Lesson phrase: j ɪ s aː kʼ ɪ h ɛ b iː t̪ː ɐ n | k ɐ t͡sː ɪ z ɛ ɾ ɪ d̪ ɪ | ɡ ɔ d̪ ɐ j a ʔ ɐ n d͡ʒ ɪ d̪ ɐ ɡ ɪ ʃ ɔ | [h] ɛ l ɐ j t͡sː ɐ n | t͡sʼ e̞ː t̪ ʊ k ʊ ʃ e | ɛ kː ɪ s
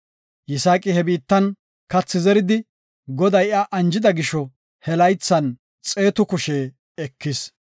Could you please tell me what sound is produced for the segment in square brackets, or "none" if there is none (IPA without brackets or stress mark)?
h